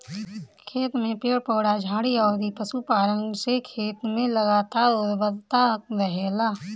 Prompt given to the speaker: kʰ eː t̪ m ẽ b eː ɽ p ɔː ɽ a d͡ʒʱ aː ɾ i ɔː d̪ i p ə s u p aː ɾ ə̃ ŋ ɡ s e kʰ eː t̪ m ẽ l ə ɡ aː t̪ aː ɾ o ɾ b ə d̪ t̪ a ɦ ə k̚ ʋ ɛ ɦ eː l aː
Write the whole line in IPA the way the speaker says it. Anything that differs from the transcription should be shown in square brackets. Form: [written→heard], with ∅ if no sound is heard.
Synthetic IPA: kʰ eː t̪ m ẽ [b→p] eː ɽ p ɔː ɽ a d͡ʒʱ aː [ɾ→ɽ] i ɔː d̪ i p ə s u p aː ɾ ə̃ ŋ ɡ s e kʰ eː t̪ m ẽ l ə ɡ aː t̪ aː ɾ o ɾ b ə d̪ t̪ a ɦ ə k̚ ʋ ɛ ɦ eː l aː